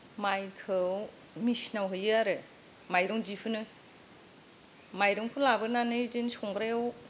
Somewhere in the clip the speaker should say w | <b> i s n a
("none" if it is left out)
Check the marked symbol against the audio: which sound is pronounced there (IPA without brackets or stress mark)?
m